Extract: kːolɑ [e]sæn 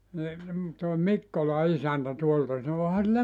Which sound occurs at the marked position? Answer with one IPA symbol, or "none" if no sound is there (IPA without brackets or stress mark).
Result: i